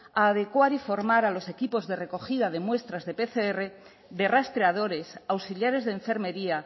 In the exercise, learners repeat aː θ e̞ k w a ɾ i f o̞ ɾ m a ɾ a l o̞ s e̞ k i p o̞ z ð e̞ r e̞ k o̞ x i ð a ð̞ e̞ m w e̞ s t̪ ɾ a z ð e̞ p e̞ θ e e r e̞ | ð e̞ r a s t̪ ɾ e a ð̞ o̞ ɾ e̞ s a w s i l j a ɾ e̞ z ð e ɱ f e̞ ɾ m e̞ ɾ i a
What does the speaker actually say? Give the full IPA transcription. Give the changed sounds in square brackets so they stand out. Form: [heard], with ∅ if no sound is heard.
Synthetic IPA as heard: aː [ð] e̞ k w a ɾ i f o̞ ɾ m a ɾ a l o̞ s e̞ k i p o̞ z ð e̞ r e̞ k o̞ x i ð a ð̞ e̞ m w e̞ s t̪ ɾ a z ð e̞ p e̞ θ e e r e̞ | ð e̞ r a s t̪ ɾ e a ð̞ o̞ ɾ e̞ s a w s i l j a ɾ e̞ z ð e ɱ f e̞ ɾ m e̞ ɾ i a